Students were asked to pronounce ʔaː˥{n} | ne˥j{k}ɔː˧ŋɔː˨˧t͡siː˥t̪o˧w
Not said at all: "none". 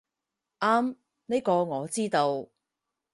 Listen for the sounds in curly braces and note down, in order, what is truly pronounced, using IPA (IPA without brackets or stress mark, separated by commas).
m, k